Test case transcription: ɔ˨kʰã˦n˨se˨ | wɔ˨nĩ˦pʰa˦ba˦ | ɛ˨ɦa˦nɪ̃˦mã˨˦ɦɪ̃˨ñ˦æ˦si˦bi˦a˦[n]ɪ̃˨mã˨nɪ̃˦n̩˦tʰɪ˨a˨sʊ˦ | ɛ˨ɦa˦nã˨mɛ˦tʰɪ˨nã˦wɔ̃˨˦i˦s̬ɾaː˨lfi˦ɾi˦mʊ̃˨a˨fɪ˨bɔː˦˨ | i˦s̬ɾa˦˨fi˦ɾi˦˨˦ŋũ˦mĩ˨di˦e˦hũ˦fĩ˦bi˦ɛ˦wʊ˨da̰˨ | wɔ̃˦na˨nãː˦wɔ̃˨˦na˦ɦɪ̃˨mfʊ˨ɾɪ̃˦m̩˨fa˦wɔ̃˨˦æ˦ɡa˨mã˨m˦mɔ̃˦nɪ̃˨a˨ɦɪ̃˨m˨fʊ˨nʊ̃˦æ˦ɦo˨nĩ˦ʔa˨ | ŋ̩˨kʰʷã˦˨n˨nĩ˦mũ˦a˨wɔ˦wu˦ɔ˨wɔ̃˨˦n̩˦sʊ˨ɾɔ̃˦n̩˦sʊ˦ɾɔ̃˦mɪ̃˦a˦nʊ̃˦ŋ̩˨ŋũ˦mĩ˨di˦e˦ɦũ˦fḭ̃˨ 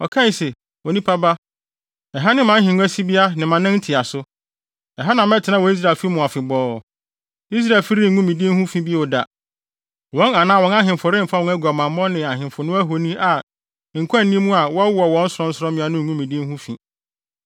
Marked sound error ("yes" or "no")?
no